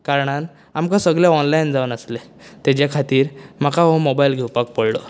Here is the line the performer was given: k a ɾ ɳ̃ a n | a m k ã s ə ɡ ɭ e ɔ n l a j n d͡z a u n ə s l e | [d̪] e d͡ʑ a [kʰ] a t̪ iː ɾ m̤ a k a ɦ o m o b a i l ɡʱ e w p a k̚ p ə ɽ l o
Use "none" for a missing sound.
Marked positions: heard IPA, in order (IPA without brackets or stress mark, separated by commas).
t̪, kʰ